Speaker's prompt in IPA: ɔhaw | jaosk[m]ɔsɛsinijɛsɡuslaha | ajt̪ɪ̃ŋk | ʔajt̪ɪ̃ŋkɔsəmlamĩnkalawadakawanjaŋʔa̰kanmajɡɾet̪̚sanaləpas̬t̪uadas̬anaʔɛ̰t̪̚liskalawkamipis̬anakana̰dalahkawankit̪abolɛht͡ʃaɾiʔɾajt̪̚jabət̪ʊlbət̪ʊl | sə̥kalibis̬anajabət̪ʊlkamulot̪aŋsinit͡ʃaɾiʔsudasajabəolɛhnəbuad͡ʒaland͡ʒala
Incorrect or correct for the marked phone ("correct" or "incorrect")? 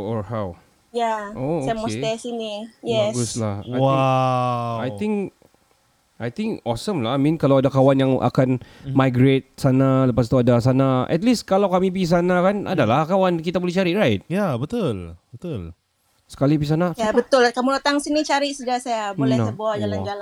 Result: correct